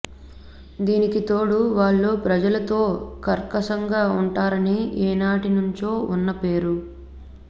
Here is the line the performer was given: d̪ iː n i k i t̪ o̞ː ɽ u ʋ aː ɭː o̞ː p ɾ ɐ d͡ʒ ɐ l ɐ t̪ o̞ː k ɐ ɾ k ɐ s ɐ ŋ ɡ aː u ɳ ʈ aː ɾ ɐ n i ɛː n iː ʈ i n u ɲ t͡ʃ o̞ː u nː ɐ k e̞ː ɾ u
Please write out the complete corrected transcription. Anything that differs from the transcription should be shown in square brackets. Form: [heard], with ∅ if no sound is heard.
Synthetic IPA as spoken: d̪ iː n i k i t̪ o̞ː ɽ u ʋ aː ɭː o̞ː p ɾ ɐ d͡ʒ ɐ l ɐ t̪ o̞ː k ɐ ɾ k ɐ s ɐ ŋ ɡ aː u ɳ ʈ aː ɾ ɐ n i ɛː n [aː] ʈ i n u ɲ t͡ʃ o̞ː u nː ɐ [p] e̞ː ɾ u